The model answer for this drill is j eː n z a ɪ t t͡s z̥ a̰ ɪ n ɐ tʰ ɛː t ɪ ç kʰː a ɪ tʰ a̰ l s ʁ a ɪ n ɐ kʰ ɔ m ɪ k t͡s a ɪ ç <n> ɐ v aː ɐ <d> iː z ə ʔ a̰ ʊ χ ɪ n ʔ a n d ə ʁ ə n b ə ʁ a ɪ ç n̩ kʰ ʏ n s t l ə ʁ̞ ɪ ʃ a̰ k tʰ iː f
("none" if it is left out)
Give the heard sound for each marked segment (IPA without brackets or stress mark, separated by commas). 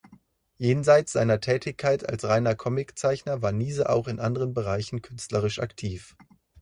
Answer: n, n